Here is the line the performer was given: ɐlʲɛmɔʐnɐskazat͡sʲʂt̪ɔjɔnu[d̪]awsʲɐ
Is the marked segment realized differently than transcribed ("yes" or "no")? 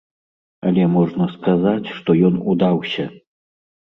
no